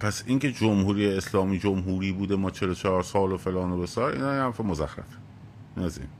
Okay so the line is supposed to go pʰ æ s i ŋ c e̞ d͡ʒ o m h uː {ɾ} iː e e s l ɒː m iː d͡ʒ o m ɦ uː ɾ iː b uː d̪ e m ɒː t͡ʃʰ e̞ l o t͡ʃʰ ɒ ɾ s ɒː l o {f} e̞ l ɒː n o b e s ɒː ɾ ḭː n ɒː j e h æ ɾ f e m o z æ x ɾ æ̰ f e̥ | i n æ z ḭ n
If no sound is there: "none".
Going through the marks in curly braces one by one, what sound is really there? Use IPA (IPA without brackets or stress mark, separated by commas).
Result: ɾ, f